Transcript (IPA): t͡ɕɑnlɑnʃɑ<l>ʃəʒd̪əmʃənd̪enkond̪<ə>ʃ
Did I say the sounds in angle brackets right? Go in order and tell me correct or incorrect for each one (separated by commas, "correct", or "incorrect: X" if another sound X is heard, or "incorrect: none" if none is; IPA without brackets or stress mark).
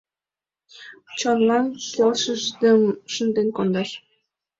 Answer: correct, incorrect: ɑ